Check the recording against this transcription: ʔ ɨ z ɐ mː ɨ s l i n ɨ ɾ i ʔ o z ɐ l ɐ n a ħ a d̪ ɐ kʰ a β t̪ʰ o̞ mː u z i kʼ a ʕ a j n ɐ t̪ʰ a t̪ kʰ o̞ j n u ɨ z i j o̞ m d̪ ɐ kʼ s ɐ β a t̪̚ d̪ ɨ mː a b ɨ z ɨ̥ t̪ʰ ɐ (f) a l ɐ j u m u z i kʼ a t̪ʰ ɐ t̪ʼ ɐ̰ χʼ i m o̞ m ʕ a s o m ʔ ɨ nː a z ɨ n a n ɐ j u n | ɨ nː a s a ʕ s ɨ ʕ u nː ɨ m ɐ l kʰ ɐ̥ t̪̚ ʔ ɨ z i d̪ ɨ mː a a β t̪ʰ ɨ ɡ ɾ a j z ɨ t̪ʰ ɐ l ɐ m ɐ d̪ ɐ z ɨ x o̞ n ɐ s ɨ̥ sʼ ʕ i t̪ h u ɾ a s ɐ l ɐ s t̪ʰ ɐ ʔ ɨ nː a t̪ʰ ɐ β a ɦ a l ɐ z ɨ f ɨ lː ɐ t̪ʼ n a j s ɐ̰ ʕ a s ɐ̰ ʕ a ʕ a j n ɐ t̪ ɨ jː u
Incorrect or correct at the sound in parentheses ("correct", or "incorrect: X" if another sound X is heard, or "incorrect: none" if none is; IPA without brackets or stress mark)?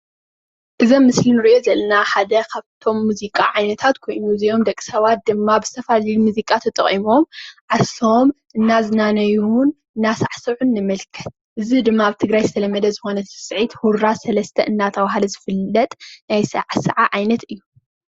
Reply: correct